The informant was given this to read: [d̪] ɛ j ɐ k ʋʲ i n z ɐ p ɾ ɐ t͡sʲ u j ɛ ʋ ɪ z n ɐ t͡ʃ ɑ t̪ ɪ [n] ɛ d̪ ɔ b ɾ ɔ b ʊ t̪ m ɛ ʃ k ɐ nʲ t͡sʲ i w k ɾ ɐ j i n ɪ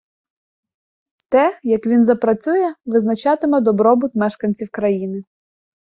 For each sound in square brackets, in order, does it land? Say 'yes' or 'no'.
no, no

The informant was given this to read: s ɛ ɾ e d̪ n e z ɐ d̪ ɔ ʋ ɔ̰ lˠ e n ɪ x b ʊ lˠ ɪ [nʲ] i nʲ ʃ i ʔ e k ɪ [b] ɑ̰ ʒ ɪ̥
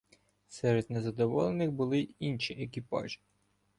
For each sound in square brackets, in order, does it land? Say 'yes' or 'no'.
no, no

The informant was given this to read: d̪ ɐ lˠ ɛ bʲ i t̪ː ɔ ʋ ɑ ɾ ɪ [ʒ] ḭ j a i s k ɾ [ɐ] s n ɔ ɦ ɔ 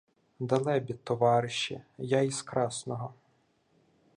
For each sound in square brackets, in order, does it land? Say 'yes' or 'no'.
no, no

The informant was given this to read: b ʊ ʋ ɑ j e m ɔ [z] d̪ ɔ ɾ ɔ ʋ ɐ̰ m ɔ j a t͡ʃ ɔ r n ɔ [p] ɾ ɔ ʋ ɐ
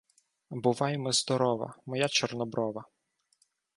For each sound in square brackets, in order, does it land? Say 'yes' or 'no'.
yes, no

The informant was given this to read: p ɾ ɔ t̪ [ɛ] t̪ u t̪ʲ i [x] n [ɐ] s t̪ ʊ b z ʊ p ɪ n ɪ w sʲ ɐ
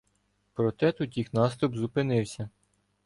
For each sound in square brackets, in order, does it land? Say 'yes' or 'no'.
yes, yes, no

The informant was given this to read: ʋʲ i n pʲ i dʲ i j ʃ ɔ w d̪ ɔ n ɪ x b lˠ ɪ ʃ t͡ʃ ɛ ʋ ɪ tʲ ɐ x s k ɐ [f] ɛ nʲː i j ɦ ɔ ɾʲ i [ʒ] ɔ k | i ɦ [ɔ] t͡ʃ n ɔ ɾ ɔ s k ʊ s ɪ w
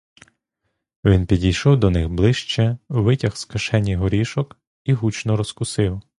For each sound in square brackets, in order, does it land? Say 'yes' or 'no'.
no, no, no

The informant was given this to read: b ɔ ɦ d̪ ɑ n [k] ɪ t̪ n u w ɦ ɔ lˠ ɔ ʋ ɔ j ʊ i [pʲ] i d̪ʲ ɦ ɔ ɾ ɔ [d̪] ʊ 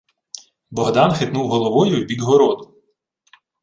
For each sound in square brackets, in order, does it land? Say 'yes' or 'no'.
no, no, yes

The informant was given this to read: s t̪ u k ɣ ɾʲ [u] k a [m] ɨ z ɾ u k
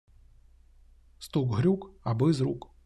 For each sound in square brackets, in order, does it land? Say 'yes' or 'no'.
yes, no

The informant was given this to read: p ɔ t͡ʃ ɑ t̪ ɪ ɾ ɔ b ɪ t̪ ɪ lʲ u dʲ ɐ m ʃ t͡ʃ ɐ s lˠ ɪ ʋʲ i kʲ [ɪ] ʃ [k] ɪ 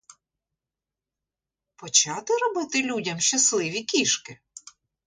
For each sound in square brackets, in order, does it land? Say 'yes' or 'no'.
no, yes

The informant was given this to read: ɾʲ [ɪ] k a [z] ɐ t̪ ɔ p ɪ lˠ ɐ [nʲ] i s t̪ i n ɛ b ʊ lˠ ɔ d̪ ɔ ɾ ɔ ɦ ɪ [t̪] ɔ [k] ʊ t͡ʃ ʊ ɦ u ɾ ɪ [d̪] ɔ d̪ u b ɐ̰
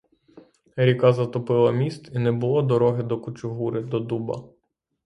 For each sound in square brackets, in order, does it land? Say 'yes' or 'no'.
no, yes, no, no, yes, yes

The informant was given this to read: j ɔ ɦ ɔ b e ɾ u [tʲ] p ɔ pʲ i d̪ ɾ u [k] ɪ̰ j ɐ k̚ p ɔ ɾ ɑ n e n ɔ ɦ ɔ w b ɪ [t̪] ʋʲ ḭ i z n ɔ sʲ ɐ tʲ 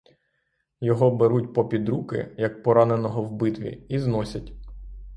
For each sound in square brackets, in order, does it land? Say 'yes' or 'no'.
yes, yes, yes

